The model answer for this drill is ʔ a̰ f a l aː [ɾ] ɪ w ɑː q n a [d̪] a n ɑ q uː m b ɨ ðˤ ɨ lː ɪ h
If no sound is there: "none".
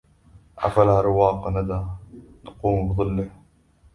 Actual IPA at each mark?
ɾ, d̪

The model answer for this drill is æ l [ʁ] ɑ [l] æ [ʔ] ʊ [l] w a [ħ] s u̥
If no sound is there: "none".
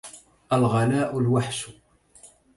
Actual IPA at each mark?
ʁ, l, ʔ, l, ħ

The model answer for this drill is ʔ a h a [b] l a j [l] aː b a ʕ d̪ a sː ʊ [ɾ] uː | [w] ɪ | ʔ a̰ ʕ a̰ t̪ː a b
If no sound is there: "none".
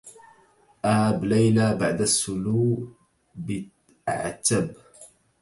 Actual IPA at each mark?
b, l, l, b

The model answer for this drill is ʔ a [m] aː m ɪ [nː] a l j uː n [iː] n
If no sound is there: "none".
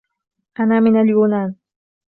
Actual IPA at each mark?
n, n, aː

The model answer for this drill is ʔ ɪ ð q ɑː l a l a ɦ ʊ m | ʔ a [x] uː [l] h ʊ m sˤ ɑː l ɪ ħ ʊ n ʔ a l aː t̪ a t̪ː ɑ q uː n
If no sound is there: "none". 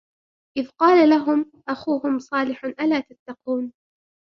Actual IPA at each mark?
x, none

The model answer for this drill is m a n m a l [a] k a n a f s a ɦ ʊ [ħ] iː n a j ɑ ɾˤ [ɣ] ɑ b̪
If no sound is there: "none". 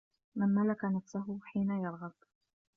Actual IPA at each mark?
a, ħ, ɣ

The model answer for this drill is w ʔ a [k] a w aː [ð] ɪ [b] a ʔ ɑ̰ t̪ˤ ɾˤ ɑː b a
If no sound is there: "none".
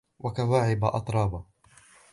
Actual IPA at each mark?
k, ʕ, b

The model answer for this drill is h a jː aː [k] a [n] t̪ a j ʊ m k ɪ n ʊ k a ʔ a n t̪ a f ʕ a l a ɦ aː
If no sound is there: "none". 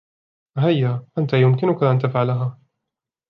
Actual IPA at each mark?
ʔ, n

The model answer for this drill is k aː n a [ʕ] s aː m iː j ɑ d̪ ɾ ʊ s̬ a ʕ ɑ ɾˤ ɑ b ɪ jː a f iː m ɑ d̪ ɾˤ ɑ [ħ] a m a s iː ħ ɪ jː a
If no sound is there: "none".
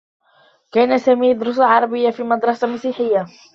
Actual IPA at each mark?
none, s

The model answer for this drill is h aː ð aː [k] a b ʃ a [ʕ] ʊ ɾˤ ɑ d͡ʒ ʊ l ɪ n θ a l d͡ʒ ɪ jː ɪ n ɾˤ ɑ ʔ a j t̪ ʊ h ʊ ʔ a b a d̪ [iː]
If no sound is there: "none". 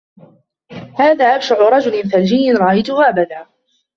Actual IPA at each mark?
ʔ, ʕ, aː

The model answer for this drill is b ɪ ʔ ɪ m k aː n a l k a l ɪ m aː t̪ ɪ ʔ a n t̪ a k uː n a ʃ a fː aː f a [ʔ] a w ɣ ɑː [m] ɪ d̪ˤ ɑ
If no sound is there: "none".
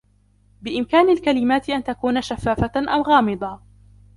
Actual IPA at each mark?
ʔ, m

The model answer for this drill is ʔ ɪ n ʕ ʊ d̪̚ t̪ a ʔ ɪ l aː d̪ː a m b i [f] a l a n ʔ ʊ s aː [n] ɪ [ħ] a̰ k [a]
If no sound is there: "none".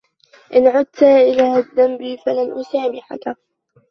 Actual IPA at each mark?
f, m, ħ, a

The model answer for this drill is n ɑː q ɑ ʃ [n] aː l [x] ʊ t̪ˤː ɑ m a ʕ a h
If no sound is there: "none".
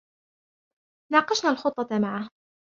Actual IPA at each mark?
n, x

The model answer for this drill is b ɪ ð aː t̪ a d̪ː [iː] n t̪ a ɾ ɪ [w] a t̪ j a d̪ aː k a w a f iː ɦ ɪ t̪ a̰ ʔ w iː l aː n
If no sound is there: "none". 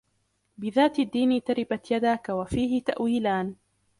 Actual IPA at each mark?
iː, b

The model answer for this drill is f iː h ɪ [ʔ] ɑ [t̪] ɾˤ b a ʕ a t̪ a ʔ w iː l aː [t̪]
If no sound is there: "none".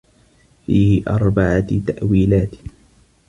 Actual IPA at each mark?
ʔ, none, t̪

